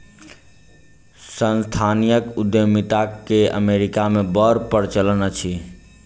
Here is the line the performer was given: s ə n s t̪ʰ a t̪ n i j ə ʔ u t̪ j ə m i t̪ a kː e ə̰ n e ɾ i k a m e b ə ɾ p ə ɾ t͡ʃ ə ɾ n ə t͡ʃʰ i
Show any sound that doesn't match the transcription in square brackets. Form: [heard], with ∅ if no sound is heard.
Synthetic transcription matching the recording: s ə n s t̪ʰ a [∅] n i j ə [k] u [d̪] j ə m i t̪ a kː e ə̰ [m] e ɾ i k a m e b ə ɾ p ə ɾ t͡ʃ ə [l] n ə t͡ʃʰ i